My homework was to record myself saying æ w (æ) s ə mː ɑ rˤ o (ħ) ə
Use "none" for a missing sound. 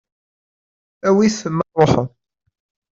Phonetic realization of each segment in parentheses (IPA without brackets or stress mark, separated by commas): i, ħ